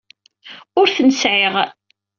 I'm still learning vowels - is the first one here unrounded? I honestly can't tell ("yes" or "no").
no